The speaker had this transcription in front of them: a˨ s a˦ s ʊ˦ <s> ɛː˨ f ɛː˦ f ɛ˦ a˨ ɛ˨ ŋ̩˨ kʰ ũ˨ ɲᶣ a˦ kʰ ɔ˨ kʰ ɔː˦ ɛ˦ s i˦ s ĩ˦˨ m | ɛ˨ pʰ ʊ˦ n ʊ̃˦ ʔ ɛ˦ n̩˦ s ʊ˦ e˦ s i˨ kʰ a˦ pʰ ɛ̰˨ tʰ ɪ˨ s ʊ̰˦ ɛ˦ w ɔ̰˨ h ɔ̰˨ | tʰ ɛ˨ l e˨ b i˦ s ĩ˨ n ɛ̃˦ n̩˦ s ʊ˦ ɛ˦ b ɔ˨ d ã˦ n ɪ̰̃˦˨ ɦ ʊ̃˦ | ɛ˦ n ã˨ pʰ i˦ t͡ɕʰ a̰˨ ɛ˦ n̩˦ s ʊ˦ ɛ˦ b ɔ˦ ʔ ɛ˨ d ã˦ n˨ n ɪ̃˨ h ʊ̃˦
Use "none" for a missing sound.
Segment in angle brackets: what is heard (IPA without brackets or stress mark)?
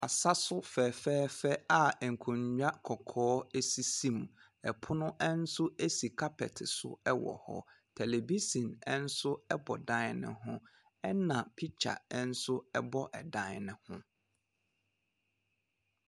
f